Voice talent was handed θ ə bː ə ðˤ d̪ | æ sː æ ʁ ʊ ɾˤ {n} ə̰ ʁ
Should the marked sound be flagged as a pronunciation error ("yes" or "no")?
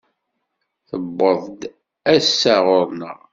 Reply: no